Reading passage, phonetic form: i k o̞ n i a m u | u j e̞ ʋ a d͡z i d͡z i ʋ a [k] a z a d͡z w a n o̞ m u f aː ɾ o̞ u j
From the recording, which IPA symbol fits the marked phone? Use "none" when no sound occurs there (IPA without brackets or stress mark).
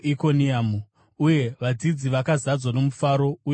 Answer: k